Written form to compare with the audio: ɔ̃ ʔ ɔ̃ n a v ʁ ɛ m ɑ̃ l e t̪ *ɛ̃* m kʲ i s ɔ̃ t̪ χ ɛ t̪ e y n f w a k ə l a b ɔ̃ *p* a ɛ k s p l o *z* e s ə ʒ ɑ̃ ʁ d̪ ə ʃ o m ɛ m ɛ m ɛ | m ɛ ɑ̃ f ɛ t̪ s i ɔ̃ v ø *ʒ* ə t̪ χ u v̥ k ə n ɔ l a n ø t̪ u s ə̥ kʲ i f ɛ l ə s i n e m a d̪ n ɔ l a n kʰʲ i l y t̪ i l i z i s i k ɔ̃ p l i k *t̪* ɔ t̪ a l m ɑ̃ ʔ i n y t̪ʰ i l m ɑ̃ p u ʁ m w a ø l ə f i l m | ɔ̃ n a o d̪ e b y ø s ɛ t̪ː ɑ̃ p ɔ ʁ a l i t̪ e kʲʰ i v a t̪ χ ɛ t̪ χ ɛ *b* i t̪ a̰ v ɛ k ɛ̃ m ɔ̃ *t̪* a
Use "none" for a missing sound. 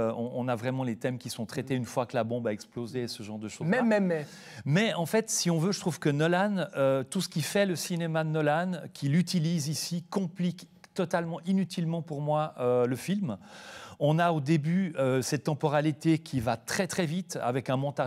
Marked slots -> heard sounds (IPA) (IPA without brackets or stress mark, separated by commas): ɛ, b, z, ʒ, t̪, v, t̪